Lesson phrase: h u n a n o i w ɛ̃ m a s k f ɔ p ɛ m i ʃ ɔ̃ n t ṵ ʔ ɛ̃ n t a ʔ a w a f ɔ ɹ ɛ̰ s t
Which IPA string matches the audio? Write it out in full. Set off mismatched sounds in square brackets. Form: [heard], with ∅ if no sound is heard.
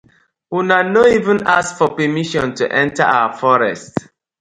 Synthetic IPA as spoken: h u n a n o i [v] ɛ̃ [n] a s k f ɔ p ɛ m i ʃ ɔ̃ n t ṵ ʔ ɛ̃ n t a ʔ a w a f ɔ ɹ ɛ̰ s t

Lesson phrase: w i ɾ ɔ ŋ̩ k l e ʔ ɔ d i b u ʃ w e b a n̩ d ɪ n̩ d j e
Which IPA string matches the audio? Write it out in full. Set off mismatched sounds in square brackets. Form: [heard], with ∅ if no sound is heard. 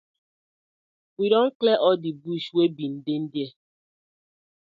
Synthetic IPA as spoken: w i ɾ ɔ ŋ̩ k l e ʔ ɔ d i b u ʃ w e b [i] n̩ d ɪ n̩ d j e

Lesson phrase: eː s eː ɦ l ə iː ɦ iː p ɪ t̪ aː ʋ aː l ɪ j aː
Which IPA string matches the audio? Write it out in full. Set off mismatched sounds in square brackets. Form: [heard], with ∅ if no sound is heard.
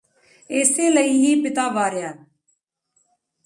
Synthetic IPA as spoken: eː s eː [∅] l ə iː ɦ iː p ɪ t̪ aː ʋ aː [ɾ] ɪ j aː

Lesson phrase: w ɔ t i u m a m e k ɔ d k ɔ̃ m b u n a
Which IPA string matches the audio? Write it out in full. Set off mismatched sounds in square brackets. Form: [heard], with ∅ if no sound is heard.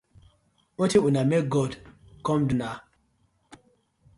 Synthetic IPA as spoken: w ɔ t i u [n] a m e [ɡ] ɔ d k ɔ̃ m [d] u n a

